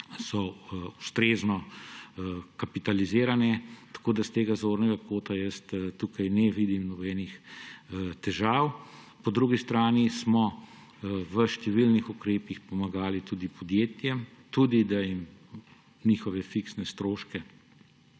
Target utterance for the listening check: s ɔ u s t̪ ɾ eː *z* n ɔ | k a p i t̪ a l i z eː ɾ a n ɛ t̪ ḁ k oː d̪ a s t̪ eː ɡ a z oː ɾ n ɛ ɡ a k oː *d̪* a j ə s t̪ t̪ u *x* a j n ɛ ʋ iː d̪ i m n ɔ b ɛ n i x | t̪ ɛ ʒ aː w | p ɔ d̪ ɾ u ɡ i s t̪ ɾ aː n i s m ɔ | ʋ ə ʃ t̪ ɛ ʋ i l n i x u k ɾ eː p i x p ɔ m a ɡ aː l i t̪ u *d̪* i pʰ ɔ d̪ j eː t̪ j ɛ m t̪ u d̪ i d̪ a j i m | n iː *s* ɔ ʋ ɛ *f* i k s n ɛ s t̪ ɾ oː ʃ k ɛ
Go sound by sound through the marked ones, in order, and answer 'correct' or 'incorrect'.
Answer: correct, incorrect: t̪, incorrect: k, correct, incorrect: x, correct

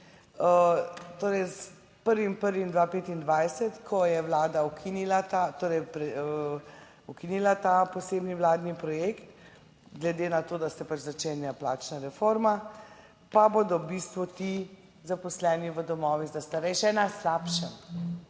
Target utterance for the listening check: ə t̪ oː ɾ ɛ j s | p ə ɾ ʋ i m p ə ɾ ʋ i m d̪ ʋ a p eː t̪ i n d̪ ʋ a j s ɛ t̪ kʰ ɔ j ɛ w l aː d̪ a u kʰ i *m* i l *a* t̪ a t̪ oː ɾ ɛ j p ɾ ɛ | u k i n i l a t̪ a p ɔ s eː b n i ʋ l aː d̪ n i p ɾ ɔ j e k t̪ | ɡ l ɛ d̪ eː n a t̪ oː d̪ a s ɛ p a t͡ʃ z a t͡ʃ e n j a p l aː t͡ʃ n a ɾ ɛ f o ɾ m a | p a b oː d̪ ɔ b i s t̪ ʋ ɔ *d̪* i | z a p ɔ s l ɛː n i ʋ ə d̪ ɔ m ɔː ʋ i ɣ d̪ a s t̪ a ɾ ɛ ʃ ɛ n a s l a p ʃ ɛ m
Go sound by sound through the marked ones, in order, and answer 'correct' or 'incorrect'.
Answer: incorrect: n, correct, incorrect: t̪

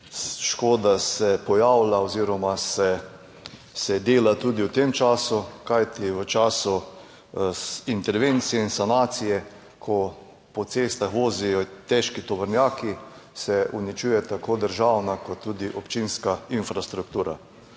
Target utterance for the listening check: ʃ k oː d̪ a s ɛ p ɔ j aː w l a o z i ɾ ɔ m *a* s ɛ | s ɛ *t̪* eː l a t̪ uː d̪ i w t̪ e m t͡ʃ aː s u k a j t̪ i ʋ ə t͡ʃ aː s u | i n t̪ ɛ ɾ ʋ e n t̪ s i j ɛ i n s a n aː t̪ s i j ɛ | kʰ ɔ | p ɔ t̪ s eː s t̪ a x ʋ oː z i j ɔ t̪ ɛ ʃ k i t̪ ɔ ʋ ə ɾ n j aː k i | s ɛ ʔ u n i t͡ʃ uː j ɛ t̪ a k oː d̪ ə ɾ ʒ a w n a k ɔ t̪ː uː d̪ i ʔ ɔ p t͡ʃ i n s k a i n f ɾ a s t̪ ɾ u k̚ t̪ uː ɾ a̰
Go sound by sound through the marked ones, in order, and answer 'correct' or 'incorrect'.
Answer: correct, incorrect: d̪

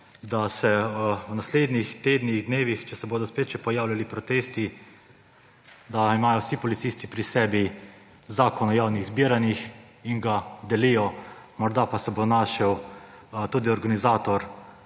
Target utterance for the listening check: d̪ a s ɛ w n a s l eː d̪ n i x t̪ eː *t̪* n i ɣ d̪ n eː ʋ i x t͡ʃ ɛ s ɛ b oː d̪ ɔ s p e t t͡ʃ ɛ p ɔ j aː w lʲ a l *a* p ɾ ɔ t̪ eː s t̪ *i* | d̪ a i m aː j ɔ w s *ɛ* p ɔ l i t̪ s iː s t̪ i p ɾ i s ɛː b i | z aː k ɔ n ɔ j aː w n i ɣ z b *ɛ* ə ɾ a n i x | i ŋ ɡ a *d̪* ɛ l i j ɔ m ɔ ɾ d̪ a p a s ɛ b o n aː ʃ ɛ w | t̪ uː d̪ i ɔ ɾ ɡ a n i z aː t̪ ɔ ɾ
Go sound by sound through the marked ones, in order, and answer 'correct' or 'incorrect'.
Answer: incorrect: d̪, incorrect: i, correct, incorrect: i, incorrect: i, correct

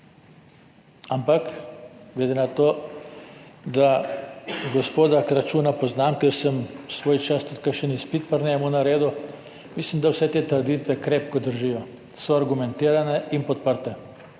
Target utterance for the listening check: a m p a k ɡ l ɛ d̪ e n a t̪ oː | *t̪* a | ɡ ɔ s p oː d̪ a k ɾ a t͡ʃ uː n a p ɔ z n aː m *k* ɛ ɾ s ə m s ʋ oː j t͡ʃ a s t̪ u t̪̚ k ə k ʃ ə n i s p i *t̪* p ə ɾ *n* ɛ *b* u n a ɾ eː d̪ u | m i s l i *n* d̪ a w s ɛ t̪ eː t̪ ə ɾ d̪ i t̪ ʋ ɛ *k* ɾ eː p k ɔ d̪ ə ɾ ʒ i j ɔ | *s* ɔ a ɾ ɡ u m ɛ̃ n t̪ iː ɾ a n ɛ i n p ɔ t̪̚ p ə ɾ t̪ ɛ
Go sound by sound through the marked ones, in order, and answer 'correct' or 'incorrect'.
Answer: incorrect: d̪, correct, correct, correct, incorrect: m, incorrect: m, correct, correct

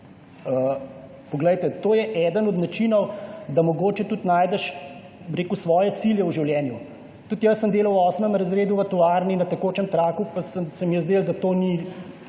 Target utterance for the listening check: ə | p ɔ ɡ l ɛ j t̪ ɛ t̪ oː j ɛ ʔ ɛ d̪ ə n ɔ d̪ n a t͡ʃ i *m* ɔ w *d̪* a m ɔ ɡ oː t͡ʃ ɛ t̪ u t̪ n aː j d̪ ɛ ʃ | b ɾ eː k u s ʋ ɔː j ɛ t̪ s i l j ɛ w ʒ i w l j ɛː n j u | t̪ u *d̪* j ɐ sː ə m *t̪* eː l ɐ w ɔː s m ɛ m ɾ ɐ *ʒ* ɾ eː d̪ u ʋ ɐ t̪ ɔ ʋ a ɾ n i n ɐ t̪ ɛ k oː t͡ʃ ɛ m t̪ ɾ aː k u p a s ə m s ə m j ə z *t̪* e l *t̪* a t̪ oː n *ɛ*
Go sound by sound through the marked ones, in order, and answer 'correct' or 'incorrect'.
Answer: incorrect: n, correct, incorrect: t̪, incorrect: d̪, incorrect: z, incorrect: d̪, incorrect: d̪, incorrect: i

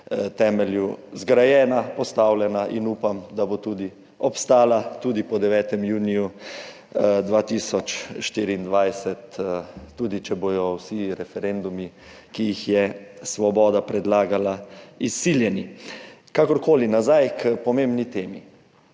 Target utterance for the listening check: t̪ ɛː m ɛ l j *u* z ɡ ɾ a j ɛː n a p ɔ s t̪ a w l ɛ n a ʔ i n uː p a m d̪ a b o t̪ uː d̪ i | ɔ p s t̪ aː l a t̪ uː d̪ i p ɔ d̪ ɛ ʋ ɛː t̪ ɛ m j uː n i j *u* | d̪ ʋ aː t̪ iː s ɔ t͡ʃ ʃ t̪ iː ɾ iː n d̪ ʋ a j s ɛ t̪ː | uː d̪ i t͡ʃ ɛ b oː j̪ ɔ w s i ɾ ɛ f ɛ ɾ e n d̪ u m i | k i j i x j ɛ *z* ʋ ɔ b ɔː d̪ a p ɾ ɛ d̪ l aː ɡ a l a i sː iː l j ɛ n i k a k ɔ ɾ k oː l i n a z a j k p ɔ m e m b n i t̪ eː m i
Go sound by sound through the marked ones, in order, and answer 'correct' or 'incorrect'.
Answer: correct, correct, incorrect: s

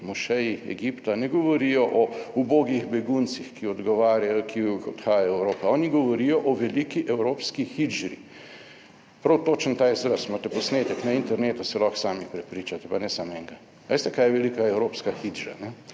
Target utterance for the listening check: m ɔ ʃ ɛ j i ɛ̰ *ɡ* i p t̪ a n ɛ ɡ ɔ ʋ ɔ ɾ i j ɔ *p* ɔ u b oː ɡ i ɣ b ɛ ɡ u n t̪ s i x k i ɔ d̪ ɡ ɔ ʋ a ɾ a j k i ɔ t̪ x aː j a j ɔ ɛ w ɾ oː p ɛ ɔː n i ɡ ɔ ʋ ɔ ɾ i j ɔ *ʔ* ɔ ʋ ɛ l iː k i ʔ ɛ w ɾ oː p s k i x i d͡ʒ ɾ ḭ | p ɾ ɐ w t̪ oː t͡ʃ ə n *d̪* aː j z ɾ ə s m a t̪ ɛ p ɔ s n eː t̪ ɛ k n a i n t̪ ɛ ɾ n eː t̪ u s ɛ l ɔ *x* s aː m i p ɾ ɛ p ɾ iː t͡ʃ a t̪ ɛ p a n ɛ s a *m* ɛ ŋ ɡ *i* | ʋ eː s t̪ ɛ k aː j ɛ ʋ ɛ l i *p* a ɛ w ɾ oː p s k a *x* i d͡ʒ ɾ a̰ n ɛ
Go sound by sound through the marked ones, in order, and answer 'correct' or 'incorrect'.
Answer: correct, incorrect: ʔ, correct, incorrect: t̪, correct, correct, incorrect: a, incorrect: k, correct

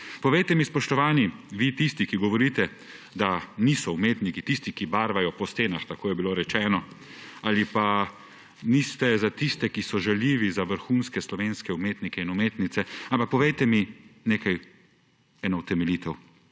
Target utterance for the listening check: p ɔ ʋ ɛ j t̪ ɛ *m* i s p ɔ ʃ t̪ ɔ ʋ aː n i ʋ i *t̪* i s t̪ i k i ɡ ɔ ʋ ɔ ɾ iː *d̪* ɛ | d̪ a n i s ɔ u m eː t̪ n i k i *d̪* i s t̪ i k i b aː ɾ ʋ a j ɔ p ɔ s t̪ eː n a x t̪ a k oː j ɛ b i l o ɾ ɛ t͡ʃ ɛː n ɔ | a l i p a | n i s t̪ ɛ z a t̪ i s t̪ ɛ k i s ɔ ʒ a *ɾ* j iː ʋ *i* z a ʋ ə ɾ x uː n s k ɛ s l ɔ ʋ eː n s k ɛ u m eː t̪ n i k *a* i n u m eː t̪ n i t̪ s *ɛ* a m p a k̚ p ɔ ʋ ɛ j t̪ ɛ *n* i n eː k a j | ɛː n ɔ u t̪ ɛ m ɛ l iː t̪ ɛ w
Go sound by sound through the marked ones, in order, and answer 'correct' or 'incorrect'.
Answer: correct, correct, incorrect: t̪, incorrect: t̪, incorrect: l, correct, incorrect: ɛ, correct, incorrect: m

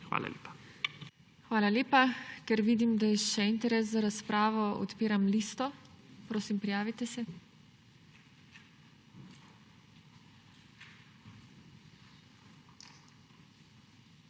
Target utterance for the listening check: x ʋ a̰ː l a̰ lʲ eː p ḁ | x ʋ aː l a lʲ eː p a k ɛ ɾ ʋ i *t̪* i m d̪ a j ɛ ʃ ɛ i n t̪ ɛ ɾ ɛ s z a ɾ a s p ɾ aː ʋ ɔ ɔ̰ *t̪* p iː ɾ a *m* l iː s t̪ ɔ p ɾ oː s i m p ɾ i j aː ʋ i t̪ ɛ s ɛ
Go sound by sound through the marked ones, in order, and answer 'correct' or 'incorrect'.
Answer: incorrect: d̪, correct, correct

